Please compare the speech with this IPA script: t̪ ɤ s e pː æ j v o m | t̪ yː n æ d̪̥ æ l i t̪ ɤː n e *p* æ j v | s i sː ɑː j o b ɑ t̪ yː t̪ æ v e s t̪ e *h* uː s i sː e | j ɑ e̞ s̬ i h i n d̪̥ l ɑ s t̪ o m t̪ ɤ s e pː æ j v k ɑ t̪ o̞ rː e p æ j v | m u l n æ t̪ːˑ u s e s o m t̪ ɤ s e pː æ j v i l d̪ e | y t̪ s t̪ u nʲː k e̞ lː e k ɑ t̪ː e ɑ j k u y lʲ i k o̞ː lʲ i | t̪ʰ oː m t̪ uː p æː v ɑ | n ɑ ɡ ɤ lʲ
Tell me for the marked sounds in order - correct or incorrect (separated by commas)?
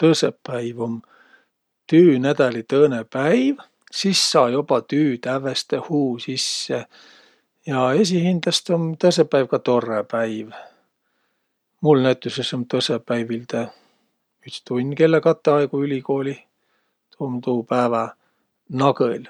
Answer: correct, correct